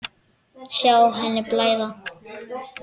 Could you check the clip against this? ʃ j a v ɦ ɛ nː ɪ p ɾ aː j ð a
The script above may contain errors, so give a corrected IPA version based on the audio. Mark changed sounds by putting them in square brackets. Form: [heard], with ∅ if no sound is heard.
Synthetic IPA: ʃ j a [w] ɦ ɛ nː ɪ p [l] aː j ð a